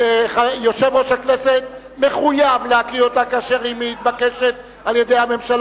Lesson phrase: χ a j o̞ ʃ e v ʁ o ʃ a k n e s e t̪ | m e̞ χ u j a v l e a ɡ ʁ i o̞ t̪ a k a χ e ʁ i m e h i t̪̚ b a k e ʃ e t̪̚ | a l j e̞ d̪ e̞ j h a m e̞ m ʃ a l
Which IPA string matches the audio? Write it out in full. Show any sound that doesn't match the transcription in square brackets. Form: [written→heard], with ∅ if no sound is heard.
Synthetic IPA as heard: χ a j o̞ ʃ e v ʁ o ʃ a k n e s e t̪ | m e̞ χ u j a v l e a [ɡ→k] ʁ i o̞ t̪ a k a [χ→ʃ] e ʁ i m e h i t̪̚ b a k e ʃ e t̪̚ | a l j e̞ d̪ e̞ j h a m e̞ m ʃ a l